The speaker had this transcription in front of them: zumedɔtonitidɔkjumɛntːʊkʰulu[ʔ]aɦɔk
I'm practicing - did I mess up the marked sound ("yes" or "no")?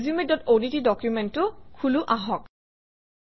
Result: no